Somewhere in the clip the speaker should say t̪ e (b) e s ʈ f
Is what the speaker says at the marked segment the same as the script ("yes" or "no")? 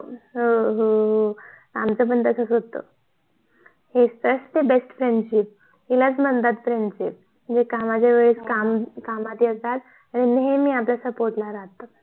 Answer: yes